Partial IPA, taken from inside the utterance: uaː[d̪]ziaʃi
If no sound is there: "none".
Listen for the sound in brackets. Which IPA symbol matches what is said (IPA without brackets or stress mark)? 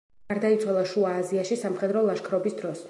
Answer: none